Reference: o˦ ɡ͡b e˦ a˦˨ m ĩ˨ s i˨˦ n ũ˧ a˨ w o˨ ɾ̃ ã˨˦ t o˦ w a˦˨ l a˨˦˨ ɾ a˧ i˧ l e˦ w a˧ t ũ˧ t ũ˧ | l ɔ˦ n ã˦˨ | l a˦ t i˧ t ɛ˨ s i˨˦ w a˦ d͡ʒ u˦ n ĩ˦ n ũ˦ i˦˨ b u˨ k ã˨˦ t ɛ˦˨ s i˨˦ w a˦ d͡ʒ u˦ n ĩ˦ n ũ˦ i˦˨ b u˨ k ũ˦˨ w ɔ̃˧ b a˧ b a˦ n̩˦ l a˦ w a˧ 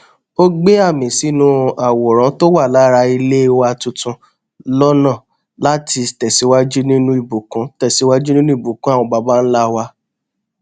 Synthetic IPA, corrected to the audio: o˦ ɡ͡b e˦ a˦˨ m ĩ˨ s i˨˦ n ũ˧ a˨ w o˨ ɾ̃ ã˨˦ t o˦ w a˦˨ l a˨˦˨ ɾ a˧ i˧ l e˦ w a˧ t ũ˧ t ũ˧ | l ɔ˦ n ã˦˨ | l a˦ t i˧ t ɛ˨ s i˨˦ w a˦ d͡ʒ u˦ n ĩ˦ n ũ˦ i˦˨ b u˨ k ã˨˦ t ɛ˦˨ s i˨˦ w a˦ d͡ʒ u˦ n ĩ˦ n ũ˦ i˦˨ b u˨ k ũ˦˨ w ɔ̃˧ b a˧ b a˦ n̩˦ l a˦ w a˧